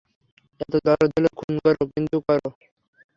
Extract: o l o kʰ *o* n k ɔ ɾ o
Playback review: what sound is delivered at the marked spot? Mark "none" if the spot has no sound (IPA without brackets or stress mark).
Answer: u